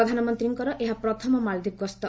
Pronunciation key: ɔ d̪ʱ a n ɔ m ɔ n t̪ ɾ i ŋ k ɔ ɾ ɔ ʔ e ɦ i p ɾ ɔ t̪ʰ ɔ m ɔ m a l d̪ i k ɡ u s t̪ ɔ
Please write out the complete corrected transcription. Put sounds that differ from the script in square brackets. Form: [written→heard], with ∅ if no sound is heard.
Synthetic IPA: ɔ d̪ʱ a n ɔ m ɔ n t̪ ɾ i ŋ k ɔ ɾ ɔ ʔ e ɦ [i→a] p ɾ ɔ t̪ʰ ɔ m ɔ m a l d̪ i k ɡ [u→ɔ] s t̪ ɔ